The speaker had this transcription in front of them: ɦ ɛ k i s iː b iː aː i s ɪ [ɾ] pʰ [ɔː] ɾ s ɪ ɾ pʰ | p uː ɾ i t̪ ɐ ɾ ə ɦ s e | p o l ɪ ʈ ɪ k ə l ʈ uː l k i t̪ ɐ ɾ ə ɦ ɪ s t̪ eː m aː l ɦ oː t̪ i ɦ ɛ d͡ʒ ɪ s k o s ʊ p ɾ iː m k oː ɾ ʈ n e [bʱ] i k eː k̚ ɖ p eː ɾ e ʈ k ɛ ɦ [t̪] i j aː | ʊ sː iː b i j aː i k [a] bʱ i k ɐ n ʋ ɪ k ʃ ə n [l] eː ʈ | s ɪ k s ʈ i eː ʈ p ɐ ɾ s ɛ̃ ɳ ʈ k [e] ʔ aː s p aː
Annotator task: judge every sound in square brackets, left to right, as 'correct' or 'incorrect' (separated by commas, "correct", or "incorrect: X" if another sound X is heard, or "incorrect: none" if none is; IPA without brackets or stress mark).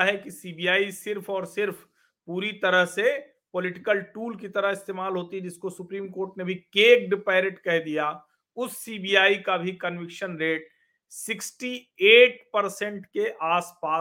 correct, correct, correct, incorrect: d̪, correct, incorrect: ɾ, correct